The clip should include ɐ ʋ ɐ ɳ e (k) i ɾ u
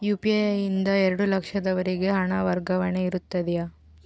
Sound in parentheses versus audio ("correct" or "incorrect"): incorrect